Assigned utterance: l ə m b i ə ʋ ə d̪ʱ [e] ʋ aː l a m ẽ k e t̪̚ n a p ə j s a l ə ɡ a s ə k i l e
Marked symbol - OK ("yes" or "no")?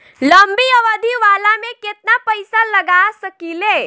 no